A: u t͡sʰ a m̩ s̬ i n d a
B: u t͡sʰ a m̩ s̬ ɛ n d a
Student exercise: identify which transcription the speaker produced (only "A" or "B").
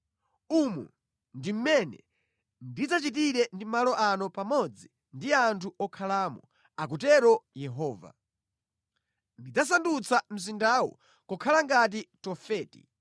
A